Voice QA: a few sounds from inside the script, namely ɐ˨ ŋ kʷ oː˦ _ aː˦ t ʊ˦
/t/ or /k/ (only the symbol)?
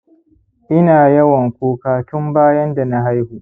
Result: k